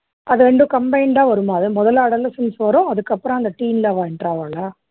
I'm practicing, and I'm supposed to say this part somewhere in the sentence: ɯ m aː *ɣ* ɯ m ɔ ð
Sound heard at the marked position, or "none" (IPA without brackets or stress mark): ð